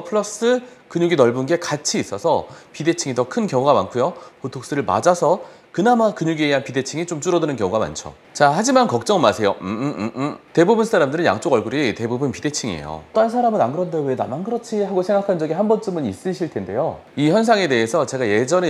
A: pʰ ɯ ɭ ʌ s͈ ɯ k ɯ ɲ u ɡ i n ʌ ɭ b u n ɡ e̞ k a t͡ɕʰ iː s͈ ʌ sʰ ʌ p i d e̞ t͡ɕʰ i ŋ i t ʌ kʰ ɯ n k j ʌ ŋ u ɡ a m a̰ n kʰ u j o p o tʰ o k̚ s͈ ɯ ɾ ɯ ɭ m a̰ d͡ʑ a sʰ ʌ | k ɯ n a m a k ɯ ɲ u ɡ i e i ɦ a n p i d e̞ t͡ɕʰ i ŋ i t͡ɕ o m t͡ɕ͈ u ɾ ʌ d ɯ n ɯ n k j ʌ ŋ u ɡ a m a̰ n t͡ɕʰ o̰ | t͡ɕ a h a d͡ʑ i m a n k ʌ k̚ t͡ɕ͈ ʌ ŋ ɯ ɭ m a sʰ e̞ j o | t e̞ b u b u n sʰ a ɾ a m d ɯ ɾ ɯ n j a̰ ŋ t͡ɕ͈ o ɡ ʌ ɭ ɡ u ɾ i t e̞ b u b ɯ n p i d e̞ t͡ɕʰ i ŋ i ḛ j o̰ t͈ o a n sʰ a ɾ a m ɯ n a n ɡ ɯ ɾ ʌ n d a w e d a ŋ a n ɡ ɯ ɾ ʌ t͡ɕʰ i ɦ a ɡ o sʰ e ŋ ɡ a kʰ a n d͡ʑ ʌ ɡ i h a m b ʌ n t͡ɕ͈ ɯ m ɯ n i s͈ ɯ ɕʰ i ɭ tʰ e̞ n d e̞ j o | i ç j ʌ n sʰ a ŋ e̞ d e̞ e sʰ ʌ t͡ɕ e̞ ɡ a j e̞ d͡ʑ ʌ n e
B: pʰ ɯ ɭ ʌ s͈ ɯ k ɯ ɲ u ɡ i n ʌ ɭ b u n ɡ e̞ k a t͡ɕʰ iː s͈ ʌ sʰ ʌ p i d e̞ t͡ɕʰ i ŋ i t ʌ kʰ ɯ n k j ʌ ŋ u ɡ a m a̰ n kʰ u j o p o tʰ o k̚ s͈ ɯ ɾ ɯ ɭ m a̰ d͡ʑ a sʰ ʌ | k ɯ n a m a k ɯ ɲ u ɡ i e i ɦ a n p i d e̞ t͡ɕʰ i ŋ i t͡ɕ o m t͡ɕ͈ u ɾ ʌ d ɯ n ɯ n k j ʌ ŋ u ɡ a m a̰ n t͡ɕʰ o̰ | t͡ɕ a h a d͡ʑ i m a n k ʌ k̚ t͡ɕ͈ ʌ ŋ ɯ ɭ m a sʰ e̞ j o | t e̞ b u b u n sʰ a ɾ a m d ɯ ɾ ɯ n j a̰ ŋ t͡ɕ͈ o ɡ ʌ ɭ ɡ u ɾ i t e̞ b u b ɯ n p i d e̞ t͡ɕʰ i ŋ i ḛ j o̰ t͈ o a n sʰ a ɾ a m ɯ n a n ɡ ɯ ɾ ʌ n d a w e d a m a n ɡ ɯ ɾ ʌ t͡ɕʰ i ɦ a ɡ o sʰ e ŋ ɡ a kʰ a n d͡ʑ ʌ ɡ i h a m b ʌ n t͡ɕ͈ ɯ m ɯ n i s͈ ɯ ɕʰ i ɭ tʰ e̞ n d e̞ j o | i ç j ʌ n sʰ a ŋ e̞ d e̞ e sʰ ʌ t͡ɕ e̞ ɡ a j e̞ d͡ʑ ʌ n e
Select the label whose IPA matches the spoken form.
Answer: B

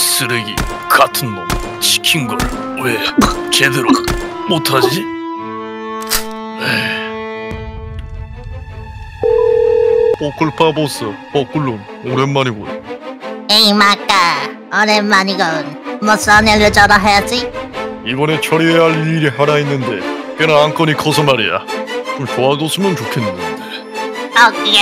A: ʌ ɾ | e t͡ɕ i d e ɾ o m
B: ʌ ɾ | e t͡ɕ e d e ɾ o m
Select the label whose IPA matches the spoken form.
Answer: B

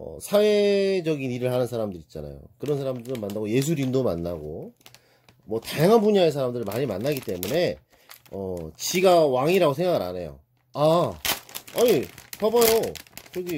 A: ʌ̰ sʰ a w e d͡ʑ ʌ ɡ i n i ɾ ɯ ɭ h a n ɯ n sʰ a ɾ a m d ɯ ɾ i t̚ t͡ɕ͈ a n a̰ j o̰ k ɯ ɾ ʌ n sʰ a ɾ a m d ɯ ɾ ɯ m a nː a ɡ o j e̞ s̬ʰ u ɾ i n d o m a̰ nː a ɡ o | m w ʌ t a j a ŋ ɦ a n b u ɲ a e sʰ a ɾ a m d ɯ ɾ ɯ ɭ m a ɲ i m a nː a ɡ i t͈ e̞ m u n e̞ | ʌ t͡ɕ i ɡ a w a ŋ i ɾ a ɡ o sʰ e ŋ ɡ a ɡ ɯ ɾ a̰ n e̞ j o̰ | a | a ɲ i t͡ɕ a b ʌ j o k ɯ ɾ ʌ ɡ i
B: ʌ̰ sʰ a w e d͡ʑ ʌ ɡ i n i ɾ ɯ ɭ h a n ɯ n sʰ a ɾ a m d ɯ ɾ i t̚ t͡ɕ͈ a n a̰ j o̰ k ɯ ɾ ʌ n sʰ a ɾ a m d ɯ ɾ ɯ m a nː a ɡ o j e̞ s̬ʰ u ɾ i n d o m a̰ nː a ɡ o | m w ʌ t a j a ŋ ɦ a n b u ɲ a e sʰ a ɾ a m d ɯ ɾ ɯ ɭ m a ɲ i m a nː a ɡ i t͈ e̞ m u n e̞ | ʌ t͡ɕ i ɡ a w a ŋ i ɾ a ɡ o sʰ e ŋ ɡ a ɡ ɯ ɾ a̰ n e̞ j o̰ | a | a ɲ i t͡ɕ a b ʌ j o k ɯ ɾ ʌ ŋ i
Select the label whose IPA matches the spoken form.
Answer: A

